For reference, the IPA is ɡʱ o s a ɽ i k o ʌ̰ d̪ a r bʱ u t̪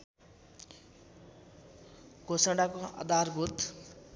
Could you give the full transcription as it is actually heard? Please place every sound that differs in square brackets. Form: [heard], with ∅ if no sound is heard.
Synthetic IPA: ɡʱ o s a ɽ [a] k o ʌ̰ d̪ a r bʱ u t̪